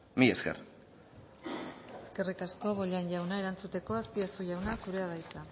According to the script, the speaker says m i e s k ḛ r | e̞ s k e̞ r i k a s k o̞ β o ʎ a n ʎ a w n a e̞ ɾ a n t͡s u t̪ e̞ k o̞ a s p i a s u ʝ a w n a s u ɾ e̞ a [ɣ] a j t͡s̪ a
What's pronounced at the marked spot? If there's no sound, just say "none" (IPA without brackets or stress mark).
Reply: ð